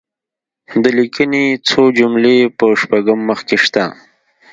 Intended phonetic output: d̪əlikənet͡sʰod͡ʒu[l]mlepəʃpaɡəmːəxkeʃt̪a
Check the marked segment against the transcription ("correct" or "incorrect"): incorrect